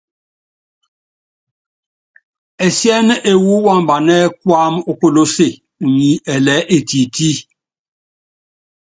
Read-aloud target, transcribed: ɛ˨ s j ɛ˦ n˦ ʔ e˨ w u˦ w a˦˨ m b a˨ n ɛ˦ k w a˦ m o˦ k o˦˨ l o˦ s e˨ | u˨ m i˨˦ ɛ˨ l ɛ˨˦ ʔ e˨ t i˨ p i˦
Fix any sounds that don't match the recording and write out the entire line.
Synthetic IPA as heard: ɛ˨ s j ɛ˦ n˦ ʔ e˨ w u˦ w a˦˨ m b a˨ n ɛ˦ k w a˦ m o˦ k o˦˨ l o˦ s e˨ | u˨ ɲ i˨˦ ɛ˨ l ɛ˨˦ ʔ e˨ t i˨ t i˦